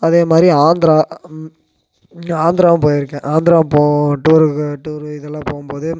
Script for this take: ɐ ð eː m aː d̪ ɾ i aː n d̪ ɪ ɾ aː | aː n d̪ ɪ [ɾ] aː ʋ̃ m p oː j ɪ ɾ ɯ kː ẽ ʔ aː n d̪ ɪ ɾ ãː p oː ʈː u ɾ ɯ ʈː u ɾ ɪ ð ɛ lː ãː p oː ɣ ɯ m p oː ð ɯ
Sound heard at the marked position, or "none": ɾ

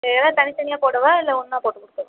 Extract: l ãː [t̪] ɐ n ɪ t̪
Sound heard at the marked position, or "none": t̪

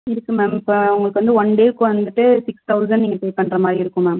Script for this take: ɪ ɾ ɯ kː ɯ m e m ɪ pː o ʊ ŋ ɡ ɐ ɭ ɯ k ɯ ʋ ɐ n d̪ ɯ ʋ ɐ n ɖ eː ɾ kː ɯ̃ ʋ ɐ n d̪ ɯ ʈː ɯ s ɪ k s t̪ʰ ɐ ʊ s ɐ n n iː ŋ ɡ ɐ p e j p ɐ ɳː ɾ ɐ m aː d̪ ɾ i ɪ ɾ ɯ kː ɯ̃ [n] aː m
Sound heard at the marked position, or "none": m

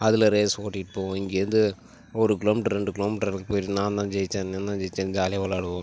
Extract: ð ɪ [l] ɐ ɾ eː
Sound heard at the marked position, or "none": l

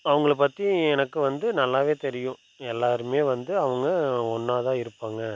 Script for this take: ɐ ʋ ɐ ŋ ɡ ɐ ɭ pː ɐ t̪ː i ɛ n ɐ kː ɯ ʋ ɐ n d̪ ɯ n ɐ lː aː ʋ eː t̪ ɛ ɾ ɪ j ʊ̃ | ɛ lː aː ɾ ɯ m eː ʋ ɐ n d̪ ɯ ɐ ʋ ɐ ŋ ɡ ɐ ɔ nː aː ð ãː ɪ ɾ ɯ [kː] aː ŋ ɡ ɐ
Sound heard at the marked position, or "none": pː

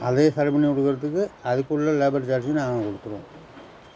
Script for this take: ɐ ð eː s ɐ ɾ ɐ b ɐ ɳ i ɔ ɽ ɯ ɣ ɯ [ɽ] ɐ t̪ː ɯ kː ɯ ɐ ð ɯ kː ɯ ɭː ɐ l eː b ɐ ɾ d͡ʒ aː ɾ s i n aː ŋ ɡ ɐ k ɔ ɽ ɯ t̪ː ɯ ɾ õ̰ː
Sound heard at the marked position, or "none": ɾ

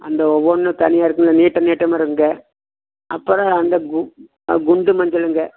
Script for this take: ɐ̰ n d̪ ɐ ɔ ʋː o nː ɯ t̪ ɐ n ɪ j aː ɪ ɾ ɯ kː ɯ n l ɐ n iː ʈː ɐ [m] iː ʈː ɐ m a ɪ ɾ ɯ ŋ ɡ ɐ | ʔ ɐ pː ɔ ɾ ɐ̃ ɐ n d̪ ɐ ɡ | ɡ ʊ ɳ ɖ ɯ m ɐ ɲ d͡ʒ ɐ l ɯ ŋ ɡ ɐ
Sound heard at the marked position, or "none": n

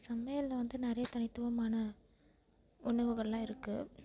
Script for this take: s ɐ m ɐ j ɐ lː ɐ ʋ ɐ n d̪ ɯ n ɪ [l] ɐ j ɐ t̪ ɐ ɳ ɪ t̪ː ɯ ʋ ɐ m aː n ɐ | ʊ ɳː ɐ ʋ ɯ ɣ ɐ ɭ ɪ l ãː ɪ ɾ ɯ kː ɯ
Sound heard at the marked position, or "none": ɾ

